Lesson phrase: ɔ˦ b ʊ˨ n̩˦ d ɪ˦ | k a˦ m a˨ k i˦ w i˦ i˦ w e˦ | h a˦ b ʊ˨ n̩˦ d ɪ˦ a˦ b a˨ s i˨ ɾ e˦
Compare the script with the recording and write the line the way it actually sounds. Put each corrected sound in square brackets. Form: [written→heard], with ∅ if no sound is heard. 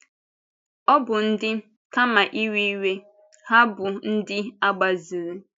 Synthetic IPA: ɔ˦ b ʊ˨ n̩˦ d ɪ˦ | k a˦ m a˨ [k→ʔ] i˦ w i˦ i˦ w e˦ | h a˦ b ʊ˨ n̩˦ d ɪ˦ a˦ [b→ɡ͡b] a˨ [s→z] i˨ ɾ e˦